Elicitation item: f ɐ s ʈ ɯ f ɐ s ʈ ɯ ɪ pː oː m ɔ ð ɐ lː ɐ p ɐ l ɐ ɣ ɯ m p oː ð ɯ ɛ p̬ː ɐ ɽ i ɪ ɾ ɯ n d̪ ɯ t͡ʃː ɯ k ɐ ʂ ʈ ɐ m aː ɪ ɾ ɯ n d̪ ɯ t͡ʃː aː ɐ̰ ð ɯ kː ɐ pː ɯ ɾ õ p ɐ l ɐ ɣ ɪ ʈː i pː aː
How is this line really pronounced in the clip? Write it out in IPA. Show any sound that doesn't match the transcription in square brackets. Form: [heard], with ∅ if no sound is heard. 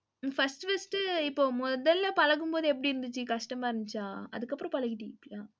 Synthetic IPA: f ɐ s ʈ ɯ f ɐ s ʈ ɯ ɪ pː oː m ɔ ð ɐ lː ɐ p ɐ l ɐ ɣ ɯ m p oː ð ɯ ɛ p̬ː ɐ ɽ i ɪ ɾ ɯ n d̪ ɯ t͡ʃː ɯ k ɐ ʂ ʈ ɐ m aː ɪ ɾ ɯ n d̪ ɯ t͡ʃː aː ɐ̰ ð ɯ kː ɐ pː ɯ ɾ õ p ɐ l ɐ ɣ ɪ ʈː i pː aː